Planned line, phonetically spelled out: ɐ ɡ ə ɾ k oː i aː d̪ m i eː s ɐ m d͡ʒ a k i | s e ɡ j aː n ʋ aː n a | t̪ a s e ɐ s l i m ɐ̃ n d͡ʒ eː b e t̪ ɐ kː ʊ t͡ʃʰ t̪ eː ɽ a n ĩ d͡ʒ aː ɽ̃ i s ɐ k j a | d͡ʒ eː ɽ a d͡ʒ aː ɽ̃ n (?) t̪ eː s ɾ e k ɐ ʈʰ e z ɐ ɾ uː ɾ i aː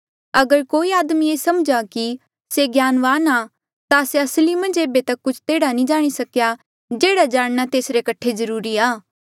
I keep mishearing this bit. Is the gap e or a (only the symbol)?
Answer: a